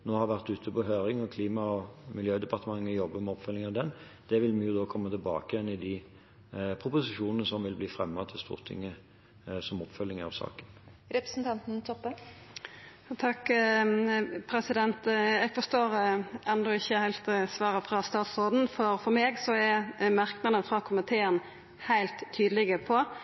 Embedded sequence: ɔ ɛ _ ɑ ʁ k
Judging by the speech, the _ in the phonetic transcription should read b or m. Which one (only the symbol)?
m